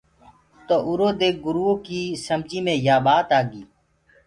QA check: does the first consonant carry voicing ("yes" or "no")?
no